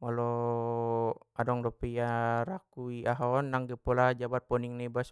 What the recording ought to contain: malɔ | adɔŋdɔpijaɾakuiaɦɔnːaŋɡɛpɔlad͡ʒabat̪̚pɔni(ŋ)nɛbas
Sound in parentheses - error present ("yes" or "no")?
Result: no